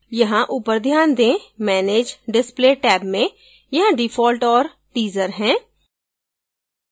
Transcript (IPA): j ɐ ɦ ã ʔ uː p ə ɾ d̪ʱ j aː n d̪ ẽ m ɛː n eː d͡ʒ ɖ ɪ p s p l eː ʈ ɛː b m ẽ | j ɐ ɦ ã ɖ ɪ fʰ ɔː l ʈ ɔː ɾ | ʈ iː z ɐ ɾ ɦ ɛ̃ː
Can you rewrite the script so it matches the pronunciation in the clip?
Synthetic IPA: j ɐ ɦ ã ʔ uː p ə ɾ d̪ʱ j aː n d̪ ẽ m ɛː n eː d͡ʒ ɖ ɪ s p l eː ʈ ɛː b m ẽ | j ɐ ɦ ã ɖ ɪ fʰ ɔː l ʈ ɔː ɾ | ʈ iː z ə ɾ ɦ ɛ̃ː